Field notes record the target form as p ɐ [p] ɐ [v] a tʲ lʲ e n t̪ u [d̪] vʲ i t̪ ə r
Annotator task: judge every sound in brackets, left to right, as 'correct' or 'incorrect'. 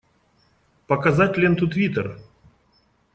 incorrect: k, incorrect: z, incorrect: t̪

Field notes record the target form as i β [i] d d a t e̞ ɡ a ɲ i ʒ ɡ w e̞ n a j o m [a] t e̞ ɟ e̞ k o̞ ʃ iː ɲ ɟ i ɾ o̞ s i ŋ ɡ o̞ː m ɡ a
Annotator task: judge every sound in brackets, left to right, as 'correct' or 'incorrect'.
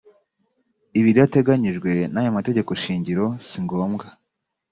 correct, correct

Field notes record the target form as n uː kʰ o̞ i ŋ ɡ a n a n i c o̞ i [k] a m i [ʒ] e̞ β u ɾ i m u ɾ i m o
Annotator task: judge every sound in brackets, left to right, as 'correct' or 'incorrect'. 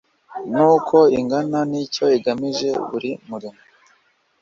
incorrect: ɡ, correct

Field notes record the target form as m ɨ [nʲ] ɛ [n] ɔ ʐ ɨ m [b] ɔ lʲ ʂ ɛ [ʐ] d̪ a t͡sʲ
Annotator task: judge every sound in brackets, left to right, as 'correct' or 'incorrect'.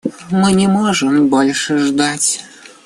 correct, incorrect: m, correct, correct

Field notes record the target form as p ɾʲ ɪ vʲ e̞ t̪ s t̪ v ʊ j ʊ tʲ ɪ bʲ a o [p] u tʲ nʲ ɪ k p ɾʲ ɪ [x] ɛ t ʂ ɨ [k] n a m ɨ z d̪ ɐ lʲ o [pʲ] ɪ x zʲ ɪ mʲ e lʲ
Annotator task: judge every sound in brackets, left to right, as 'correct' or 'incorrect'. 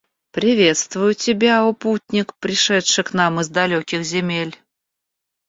correct, incorrect: ʂ, correct, incorrect: kʲ

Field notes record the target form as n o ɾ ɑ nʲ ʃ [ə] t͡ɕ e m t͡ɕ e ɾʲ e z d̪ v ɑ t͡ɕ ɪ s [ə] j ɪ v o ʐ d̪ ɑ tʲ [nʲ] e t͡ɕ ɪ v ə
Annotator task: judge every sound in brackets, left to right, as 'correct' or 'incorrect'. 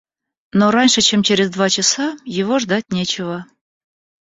correct, incorrect: ɑ, correct

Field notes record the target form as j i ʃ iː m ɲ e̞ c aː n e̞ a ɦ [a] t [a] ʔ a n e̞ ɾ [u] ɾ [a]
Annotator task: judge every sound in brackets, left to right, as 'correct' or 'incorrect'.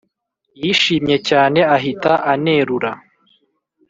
incorrect: i, correct, correct, correct

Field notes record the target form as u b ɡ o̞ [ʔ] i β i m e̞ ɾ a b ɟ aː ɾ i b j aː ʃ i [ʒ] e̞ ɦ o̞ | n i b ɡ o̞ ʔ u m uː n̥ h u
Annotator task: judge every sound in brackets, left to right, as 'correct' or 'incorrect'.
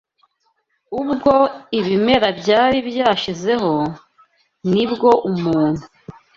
incorrect: none, incorrect: z

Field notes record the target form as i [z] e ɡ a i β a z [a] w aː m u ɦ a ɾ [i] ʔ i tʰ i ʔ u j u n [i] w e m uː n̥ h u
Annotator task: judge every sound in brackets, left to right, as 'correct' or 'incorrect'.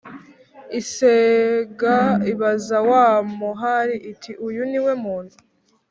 incorrect: s, correct, correct, correct

